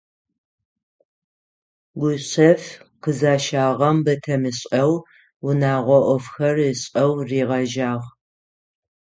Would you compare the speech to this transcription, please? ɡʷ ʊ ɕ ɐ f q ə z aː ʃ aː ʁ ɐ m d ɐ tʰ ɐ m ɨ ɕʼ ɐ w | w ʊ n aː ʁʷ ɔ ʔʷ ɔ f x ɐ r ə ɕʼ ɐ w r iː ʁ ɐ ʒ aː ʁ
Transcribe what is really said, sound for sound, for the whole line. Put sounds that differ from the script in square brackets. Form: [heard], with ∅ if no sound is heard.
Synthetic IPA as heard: ɡʷ ʊ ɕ ɐ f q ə z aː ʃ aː ʁ ɐ m [b] ɐ tʰ ɐ m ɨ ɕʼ ɐ w | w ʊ n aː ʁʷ ɔ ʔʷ ɔ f x ɐ r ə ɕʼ ɐ w r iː ʁ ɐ ʒ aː ʁ